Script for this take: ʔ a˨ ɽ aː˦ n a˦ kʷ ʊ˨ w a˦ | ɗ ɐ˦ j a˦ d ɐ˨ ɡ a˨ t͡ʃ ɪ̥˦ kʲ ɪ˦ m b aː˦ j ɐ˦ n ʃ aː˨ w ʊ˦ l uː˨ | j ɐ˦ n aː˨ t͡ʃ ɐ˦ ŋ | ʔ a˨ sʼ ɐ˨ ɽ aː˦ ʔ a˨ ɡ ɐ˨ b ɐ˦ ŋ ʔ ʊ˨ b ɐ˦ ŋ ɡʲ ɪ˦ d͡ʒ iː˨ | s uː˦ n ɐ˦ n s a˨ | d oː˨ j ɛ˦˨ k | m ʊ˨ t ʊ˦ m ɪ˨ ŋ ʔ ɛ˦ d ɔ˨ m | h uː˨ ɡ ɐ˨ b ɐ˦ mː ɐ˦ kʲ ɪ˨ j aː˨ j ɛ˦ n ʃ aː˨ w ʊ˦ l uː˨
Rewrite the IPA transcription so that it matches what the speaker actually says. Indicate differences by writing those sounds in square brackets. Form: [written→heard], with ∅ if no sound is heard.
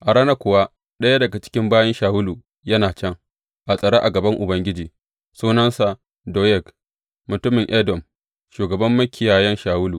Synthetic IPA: ʔ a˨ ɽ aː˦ n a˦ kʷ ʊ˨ w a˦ | ɗ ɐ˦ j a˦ d ɐ˨ ɡ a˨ t͡ʃ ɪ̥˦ kʲ ɪ˦ m b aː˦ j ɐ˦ n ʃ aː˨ w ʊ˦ l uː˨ | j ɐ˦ n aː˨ t͡ʃ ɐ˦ ŋ | ʔ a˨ sʼ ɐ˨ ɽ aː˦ ʔ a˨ ɡ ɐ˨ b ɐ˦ ŋ ʔ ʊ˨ b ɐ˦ ŋ ɡʲ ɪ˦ d͡ʒ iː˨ | s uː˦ n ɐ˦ n s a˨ | d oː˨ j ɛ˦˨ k | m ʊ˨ t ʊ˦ m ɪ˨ ŋ ʔ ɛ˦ d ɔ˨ m | [h→ʃ] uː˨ ɡ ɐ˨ b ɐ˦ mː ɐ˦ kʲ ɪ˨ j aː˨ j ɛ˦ n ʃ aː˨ w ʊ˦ l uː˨